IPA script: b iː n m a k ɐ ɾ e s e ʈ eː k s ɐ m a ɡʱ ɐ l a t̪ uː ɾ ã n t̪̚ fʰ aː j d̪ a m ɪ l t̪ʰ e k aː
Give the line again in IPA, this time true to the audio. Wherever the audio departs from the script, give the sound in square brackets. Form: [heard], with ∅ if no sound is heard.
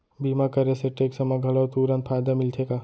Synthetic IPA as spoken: b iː [∅] m a k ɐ ɾ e s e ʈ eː k s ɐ m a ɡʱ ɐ l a t̪ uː ɾ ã n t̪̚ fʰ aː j d̪ a m ɪ l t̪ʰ e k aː